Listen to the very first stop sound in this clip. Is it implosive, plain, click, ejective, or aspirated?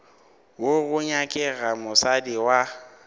ejective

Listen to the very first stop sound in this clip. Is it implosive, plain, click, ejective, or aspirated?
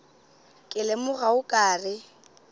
ejective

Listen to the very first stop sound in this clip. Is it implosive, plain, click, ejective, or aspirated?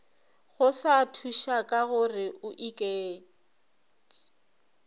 aspirated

